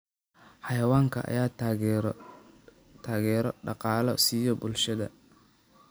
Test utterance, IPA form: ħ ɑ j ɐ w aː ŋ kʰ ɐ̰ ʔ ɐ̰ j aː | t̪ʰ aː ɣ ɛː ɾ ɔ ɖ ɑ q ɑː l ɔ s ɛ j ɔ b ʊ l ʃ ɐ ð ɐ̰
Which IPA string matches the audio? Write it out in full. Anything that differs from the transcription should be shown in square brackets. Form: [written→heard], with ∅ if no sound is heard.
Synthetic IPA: ħ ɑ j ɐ w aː ŋ kʰ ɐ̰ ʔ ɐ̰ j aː | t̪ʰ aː ɣ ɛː ɾ ɔ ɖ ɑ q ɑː l ɔ s [ɛ→i] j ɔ b ʊ l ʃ ɐ ð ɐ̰